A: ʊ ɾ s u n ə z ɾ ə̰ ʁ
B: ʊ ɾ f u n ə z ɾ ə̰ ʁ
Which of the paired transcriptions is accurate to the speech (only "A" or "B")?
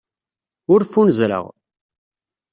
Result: B